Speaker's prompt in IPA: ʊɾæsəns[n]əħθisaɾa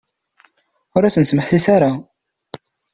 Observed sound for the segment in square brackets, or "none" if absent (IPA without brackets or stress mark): m